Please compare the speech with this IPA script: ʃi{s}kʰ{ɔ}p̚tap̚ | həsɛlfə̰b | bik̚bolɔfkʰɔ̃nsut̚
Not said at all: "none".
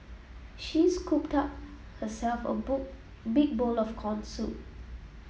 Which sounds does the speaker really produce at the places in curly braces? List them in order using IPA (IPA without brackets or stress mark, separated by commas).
s, u